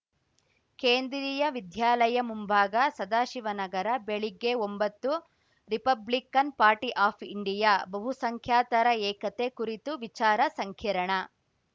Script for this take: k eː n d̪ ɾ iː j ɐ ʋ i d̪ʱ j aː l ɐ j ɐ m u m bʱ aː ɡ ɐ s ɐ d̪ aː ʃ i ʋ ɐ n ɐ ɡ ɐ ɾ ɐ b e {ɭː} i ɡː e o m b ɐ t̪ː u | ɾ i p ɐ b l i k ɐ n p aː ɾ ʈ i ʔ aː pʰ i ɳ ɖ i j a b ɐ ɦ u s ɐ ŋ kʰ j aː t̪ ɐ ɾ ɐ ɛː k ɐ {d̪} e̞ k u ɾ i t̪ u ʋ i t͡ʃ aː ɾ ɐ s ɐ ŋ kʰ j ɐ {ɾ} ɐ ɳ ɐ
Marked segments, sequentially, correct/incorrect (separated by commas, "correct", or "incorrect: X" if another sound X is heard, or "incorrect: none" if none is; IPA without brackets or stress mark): incorrect: ɭ, incorrect: t̪, correct